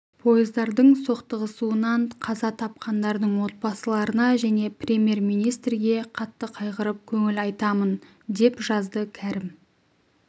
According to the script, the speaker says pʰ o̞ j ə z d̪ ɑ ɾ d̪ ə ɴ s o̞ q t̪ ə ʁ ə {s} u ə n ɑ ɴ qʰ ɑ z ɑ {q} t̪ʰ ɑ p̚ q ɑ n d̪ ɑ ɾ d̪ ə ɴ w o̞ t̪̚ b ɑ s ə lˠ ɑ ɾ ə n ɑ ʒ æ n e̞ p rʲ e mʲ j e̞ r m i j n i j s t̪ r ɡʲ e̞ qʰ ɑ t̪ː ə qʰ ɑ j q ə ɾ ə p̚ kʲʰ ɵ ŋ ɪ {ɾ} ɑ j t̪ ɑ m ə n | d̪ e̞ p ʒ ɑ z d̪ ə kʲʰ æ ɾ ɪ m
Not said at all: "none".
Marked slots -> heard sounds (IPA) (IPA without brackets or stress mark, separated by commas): s, none, l